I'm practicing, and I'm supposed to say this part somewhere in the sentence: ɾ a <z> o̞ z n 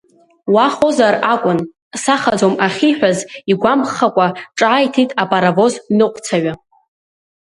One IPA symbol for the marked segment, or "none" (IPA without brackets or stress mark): v